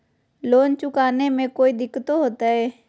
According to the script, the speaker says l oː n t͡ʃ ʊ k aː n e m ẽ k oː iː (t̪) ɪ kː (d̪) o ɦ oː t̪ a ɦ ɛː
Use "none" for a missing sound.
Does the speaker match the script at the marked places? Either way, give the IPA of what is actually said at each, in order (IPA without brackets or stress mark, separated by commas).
d̪, t̪